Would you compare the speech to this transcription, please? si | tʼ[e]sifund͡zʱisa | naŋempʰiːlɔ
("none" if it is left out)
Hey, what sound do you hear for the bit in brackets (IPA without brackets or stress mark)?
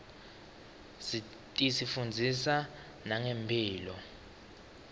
i